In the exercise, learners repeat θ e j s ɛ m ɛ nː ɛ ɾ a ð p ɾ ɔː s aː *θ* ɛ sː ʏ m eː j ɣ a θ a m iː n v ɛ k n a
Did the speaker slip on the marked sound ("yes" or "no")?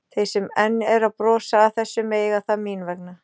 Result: no